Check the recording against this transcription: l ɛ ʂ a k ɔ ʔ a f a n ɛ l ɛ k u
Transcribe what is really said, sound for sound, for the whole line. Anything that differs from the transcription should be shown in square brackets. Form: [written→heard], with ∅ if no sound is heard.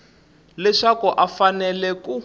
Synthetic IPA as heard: l ɛ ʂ a k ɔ ʔ a f a n ɛ l ɛ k u